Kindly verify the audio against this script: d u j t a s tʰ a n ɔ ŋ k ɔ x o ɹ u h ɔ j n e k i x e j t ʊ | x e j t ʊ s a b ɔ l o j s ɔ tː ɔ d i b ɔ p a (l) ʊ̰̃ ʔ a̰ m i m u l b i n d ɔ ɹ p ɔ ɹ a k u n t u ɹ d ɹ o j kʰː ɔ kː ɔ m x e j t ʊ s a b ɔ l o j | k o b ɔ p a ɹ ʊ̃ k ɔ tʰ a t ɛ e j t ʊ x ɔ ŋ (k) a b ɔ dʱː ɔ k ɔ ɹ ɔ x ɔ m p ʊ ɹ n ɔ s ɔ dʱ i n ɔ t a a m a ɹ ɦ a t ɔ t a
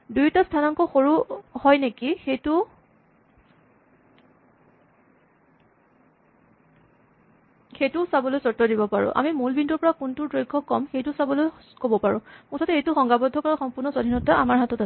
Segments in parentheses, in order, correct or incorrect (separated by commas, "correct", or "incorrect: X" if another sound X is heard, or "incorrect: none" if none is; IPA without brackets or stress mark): incorrect: ɹ, incorrect: ɡ